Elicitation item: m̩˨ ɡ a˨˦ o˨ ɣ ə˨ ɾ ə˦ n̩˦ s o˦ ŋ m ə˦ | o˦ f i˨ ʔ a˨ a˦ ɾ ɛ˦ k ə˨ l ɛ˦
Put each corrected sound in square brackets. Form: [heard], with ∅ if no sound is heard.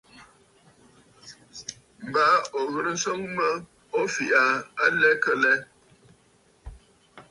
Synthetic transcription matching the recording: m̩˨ [b] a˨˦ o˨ ɣ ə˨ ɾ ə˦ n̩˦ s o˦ ŋ m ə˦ | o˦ f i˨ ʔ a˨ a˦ [l] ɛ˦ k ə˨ l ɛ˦